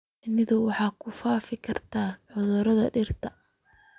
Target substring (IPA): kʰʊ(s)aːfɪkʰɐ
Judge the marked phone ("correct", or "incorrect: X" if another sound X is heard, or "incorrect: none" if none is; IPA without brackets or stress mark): incorrect: f